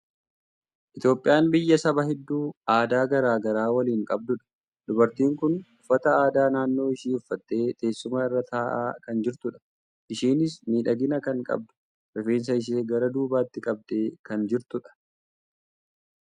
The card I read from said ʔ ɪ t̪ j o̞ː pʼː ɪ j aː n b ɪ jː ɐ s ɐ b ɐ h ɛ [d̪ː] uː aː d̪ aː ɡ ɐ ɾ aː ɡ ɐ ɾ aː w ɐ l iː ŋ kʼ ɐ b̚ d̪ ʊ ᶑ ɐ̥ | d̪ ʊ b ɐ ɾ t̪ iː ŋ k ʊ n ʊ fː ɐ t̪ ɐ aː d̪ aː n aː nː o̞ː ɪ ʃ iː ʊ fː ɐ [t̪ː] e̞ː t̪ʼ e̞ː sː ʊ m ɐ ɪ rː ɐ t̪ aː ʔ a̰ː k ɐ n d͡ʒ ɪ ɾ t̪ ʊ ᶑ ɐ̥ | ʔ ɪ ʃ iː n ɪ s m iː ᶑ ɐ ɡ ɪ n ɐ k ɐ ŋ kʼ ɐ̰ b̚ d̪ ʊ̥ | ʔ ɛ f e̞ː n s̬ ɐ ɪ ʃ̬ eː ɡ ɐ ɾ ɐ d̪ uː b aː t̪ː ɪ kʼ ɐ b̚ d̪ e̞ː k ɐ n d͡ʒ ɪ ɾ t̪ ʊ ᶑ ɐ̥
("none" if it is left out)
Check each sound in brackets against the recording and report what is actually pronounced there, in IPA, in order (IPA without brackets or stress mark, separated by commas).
d̪ː, t̪ː